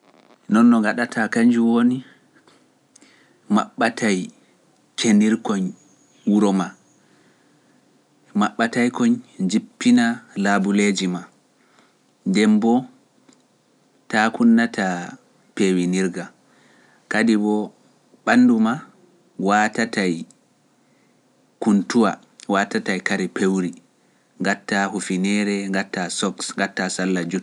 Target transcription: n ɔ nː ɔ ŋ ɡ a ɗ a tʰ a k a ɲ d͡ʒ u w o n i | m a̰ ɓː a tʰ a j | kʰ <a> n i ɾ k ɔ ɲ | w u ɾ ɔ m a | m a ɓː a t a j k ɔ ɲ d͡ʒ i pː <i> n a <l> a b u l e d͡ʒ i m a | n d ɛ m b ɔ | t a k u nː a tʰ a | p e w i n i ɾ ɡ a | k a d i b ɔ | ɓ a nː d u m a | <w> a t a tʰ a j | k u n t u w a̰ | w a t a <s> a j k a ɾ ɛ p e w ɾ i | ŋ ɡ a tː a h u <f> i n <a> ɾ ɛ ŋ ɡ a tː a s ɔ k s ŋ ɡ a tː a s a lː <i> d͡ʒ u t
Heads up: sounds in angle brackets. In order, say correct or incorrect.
incorrect, correct, correct, correct, incorrect, correct, incorrect, incorrect

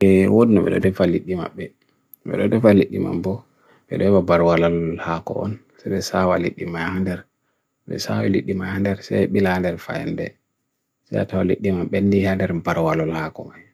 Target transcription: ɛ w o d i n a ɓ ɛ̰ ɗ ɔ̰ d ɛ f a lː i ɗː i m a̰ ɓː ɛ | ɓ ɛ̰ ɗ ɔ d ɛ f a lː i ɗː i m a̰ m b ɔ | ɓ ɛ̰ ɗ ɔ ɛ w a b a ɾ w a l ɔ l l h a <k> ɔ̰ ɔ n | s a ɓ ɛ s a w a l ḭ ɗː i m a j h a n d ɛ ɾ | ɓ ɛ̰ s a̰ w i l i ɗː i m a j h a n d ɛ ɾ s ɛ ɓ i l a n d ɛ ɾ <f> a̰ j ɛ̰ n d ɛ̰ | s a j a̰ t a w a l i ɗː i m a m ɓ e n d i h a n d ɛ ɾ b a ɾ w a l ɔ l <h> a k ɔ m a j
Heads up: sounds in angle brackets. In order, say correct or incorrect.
correct, correct, correct

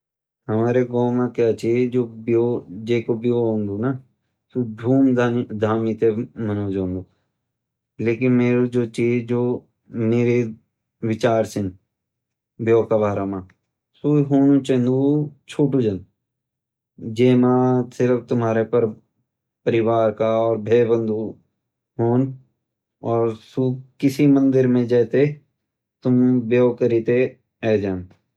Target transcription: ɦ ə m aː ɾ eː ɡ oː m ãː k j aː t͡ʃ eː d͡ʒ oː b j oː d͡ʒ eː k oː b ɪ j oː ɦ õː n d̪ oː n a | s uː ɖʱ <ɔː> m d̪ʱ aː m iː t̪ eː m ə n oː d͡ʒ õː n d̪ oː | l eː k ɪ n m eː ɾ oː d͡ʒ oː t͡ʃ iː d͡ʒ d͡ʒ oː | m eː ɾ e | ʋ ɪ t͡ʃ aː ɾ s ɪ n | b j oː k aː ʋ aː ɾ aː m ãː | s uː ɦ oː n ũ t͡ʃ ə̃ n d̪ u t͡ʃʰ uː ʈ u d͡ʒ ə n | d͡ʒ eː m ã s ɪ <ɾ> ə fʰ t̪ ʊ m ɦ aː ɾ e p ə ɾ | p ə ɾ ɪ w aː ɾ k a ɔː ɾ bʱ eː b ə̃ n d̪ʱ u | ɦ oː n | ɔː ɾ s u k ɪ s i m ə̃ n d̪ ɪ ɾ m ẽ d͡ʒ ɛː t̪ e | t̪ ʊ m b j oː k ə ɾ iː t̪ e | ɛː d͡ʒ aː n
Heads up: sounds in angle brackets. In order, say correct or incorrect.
incorrect, correct

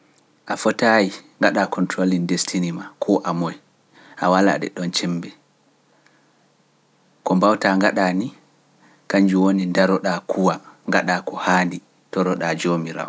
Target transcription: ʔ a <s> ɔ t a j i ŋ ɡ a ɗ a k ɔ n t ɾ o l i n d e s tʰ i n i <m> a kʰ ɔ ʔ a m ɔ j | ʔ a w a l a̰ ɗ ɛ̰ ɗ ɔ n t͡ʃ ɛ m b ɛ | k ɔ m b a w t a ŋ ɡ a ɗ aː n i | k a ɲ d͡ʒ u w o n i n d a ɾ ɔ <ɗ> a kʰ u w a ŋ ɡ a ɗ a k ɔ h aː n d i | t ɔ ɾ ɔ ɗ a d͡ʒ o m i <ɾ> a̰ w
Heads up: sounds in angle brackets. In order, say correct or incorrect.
incorrect, correct, correct, correct

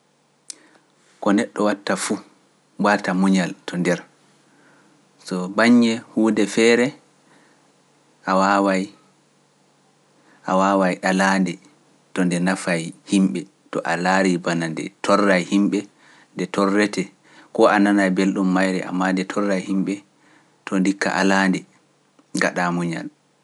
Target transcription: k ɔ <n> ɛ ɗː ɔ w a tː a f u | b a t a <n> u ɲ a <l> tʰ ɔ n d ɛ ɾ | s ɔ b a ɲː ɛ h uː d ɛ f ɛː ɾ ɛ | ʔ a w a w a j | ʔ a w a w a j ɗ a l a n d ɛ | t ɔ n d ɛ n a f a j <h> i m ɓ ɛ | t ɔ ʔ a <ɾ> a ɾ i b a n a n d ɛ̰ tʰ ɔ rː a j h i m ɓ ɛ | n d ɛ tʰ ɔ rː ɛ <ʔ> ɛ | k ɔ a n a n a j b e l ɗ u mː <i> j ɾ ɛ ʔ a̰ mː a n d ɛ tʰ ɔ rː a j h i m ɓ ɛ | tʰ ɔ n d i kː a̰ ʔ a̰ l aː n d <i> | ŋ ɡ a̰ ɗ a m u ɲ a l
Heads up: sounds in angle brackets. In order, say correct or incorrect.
correct, incorrect, correct, correct, incorrect, incorrect, incorrect, incorrect

